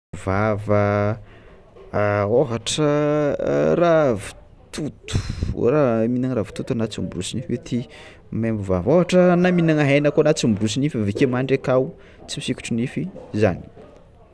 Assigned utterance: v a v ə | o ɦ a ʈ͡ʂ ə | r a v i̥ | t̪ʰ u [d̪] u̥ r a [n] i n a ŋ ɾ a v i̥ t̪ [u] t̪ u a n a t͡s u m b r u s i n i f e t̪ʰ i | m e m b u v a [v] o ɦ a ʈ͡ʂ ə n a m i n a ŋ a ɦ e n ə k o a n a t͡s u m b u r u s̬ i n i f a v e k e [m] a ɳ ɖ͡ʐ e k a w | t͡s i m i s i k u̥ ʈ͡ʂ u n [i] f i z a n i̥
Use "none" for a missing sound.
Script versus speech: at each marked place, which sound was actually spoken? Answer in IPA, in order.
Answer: t̪, m, u, v, m, i

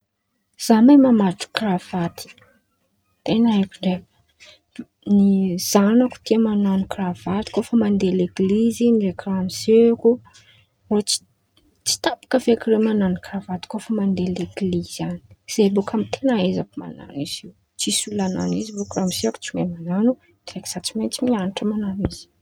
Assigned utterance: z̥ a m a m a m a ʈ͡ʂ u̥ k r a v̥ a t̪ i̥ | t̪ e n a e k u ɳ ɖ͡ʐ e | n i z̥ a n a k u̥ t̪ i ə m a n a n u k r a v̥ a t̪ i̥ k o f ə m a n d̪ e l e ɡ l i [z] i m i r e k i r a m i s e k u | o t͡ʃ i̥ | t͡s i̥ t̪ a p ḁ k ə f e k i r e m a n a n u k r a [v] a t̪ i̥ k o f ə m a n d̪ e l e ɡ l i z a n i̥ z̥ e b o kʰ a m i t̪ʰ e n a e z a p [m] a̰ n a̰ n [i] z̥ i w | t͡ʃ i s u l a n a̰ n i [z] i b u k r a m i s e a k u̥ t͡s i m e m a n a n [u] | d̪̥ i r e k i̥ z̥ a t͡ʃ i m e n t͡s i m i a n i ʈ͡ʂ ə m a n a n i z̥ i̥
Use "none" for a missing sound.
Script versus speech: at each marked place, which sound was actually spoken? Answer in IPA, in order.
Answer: z, v, m, i, z, u

